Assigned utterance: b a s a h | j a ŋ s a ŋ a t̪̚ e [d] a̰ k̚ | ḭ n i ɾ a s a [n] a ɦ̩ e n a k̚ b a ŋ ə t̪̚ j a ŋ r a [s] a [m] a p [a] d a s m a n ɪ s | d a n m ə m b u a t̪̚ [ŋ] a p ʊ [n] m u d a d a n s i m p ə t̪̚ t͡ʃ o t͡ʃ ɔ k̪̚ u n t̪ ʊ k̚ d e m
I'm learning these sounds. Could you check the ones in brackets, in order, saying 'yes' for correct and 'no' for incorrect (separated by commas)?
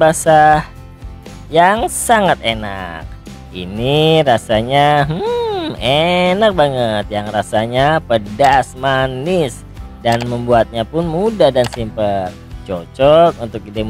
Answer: no, no, yes, no, no, no, yes